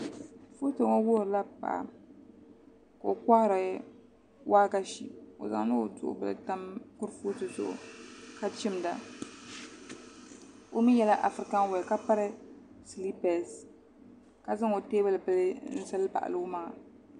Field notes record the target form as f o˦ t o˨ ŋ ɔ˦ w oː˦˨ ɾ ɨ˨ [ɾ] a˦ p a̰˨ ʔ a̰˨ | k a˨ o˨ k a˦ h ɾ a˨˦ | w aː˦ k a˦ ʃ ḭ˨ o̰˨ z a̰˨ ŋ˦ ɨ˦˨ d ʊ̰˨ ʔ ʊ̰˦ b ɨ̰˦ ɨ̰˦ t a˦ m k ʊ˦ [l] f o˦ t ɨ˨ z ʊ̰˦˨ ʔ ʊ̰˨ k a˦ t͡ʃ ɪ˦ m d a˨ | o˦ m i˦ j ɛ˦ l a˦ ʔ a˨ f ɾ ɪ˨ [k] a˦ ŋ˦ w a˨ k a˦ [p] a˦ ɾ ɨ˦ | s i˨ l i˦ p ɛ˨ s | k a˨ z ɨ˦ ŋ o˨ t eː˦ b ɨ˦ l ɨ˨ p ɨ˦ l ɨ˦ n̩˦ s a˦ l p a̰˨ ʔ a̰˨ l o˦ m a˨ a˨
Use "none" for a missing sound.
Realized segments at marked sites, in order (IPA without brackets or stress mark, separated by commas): l, ɾ, k, p